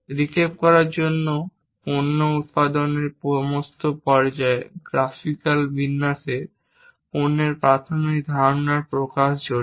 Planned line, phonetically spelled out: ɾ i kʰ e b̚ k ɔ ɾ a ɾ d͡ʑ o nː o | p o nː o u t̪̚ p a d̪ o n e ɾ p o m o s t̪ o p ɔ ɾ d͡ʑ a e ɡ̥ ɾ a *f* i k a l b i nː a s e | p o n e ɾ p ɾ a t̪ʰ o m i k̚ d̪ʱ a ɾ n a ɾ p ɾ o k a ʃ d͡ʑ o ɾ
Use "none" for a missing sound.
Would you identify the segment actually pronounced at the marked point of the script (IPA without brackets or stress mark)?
f